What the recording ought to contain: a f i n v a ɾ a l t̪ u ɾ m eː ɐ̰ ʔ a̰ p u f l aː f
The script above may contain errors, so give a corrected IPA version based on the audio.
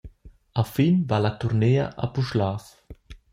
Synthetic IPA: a f i n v a l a t̪ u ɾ n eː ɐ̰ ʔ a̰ p u ʃ l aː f